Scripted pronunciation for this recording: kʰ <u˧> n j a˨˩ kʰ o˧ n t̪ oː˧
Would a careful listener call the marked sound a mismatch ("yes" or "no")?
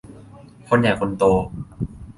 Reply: yes